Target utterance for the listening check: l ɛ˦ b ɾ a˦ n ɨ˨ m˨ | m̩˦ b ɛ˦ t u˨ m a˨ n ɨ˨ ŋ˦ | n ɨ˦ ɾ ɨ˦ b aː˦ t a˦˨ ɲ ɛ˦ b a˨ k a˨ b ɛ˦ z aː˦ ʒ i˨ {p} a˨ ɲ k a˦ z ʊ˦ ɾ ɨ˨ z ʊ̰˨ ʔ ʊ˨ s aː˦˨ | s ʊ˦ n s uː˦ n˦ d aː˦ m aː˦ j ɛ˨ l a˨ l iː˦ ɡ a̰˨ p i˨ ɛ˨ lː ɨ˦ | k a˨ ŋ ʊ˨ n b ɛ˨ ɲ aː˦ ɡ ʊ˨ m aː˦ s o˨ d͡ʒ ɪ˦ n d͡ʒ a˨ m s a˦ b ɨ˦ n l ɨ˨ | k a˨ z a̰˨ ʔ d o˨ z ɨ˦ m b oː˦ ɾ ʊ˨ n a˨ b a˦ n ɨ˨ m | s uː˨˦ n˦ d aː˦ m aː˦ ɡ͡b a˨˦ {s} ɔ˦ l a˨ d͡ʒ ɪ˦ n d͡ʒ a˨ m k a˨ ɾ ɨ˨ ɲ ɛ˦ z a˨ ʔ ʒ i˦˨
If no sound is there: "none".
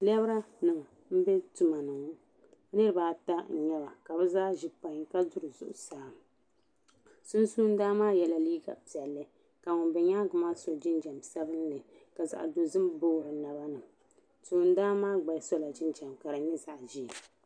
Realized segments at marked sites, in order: p, s

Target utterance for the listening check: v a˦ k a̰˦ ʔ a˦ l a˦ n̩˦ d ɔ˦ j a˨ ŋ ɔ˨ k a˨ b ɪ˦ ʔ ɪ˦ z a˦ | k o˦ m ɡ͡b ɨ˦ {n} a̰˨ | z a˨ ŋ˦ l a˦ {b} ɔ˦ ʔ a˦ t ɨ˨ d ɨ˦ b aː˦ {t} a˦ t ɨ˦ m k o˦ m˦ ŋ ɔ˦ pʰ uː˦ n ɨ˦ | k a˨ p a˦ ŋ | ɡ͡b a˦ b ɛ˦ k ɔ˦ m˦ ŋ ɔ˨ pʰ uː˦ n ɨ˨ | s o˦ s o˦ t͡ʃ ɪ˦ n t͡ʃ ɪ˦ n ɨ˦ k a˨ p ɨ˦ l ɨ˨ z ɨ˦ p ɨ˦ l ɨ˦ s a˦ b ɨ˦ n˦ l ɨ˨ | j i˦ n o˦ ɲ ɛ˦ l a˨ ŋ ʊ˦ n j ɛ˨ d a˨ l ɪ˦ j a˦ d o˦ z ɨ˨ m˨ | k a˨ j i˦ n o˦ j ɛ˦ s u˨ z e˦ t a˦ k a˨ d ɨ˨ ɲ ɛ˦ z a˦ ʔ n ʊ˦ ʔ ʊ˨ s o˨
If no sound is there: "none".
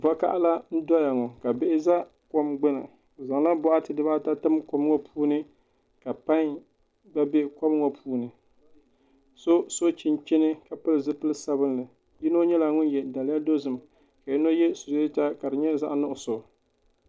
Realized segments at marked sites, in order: n, b, t

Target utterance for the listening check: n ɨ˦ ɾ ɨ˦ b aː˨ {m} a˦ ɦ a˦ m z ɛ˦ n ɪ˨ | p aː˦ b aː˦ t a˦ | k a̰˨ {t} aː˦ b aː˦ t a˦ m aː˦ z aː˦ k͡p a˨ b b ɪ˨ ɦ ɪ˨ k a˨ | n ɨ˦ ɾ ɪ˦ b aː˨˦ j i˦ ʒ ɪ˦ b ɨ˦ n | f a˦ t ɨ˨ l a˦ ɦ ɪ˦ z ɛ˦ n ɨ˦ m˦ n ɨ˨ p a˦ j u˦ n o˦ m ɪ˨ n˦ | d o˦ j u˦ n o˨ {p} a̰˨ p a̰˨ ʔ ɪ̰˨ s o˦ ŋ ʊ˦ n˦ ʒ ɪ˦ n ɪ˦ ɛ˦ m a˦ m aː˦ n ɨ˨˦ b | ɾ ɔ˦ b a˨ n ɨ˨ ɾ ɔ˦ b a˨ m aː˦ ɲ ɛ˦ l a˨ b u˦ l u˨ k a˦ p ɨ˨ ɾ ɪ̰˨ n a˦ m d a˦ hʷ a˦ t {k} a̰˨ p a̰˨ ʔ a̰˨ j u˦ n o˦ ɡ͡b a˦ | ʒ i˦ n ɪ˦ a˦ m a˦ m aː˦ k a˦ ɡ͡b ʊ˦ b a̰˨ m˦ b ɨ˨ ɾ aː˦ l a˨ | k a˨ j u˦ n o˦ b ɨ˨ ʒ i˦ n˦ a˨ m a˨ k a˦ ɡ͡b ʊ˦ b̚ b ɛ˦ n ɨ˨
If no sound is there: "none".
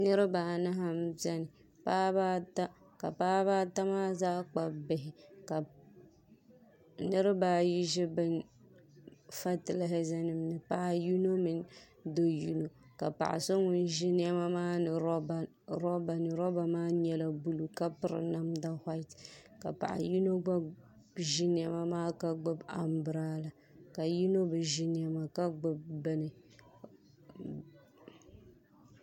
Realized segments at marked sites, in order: n, p, k, k

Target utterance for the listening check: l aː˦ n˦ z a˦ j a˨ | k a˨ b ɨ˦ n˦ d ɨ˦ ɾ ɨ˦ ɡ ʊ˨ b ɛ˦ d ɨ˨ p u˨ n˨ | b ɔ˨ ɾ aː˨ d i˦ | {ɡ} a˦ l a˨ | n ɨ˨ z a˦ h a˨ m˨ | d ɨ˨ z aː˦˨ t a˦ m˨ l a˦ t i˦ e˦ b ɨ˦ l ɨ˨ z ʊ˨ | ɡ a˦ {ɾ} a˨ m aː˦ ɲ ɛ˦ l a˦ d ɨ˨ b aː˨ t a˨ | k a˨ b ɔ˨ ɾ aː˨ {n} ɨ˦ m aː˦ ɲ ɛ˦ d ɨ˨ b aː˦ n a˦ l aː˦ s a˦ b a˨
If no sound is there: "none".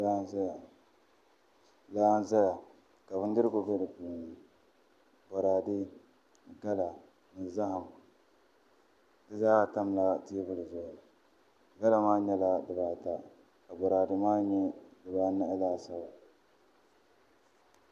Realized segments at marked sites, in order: ɡ, l, d

